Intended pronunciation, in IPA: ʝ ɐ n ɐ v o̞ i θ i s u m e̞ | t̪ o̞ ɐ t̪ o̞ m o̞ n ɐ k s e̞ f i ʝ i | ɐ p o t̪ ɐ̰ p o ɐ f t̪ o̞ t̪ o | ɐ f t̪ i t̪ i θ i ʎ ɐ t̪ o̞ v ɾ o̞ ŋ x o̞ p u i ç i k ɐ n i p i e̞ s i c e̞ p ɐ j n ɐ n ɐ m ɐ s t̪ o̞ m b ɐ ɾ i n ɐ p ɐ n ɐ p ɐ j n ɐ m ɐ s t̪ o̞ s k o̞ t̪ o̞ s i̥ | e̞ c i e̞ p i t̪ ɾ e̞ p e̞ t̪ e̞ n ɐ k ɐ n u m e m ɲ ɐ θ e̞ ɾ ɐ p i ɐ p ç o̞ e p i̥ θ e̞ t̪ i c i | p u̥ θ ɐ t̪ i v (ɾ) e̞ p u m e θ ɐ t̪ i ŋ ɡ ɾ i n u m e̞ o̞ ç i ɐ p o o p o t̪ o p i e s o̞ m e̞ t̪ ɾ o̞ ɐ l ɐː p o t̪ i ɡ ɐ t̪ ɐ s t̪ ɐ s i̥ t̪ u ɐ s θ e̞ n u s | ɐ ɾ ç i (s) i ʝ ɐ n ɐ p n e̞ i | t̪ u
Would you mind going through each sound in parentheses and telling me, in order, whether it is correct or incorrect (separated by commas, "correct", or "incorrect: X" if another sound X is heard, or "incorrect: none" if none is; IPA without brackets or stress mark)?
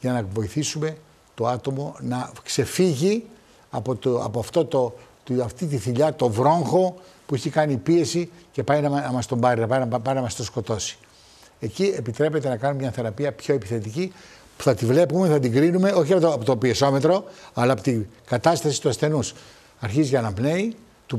incorrect: l, incorrect: z